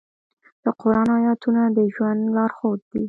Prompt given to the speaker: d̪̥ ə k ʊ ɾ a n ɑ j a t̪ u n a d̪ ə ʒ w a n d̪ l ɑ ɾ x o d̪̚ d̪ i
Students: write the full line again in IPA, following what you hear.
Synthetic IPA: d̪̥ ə q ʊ ɾ ɑ n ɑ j ɑ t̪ u n a d̪ ə ʒ w a n d̪ l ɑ ɾ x o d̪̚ d̪ i